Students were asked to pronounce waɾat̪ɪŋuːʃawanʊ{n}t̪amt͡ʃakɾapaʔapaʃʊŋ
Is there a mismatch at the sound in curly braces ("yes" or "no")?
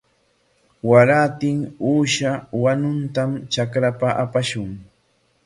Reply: no